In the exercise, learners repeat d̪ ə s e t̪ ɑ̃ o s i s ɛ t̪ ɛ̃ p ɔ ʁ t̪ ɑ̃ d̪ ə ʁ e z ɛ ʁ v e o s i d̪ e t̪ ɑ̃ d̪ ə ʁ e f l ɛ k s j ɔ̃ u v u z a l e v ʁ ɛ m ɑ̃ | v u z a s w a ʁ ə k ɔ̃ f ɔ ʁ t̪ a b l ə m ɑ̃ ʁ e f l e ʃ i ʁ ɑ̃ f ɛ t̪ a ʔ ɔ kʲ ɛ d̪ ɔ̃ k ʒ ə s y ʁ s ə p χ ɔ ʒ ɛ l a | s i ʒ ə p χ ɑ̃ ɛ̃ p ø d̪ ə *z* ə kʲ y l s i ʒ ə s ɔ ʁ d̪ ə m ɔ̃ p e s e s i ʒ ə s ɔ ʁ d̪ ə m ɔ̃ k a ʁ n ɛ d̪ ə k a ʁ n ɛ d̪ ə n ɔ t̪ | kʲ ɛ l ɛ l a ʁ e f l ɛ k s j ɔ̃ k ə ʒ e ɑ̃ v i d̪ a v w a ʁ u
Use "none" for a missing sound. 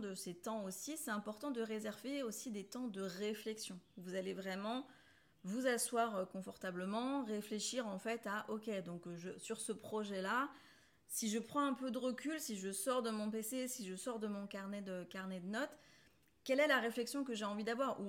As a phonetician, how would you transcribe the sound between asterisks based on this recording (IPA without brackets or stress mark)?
ʁ